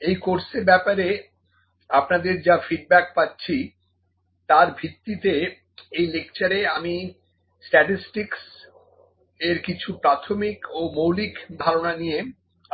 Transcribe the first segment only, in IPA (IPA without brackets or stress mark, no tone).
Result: e